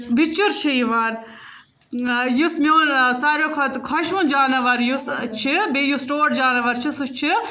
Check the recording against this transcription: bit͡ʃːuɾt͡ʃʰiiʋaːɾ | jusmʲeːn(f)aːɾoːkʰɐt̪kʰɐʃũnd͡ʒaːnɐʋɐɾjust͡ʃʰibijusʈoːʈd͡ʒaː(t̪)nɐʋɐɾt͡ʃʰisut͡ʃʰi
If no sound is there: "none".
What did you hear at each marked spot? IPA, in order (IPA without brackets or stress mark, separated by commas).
s, none